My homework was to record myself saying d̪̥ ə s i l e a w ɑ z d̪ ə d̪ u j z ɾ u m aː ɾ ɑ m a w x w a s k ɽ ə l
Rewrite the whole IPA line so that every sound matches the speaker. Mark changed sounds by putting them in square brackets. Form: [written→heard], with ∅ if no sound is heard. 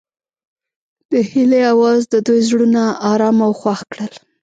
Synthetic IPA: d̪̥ ə [s→h] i l e a w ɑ z d̪ ə d̪ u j z [ɾ→ɽ] u [m→n] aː ɾ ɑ m a w x w a [s→x] k ɽ ə l